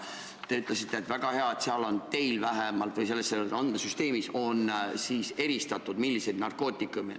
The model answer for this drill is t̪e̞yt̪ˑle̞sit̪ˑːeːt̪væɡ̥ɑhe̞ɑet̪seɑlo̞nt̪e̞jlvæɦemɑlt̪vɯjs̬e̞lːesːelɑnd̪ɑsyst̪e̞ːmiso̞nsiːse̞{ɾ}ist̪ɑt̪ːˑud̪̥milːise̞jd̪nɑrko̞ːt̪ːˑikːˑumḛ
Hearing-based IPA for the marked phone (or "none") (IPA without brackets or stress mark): ɾ